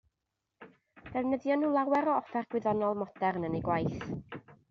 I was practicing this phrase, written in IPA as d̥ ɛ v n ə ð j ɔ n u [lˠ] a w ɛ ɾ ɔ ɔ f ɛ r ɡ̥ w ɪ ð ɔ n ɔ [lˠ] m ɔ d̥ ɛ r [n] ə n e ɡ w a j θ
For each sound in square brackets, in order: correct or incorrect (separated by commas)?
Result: correct, correct, correct